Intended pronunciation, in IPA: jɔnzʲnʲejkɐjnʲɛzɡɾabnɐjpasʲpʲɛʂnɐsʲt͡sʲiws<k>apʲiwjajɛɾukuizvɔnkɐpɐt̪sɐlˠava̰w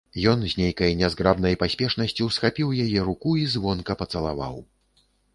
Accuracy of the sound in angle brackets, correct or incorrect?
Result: incorrect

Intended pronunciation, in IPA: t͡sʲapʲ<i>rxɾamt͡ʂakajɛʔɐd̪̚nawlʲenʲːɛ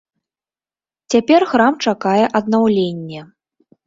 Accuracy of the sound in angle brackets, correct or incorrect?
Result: incorrect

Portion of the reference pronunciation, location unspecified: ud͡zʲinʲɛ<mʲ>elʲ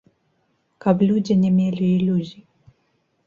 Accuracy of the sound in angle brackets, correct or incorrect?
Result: correct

